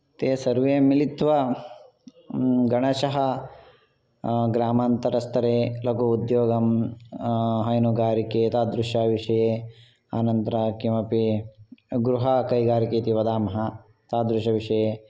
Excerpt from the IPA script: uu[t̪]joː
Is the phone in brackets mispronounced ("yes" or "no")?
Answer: yes